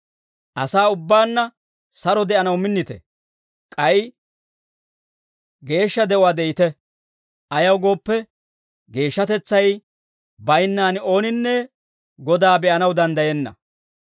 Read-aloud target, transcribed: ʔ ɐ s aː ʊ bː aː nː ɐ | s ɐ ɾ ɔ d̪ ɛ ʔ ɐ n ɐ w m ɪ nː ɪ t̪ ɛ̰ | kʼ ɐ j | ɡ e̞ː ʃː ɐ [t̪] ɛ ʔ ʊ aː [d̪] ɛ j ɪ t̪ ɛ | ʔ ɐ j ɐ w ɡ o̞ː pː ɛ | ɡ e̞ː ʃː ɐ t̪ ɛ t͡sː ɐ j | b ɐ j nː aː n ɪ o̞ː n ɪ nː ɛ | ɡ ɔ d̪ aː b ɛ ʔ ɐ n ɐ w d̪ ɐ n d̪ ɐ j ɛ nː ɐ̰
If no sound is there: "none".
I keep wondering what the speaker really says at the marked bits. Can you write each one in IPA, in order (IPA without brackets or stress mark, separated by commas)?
d̪, d̪